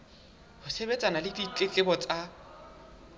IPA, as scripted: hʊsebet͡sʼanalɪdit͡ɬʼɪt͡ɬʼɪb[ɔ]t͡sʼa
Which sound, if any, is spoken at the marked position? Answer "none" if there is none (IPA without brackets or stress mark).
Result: ɔ